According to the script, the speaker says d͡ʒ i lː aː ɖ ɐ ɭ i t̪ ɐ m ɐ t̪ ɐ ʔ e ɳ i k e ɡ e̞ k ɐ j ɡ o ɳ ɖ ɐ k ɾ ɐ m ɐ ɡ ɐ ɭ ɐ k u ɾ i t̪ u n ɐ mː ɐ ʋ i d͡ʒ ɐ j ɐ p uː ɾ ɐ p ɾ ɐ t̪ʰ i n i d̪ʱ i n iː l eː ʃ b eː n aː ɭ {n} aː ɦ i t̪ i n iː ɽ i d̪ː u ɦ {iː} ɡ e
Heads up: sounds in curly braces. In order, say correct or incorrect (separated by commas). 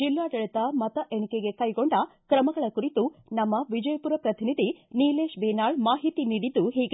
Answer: incorrect, correct